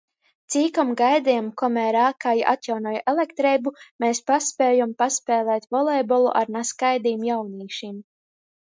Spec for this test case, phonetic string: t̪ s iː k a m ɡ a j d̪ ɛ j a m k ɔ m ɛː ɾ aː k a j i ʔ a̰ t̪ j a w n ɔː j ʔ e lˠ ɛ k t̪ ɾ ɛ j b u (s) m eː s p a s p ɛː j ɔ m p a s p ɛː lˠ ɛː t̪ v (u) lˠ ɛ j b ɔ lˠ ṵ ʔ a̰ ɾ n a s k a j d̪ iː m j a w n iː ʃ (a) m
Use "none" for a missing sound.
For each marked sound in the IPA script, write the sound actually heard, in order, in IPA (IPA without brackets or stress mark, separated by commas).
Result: none, ɔ, i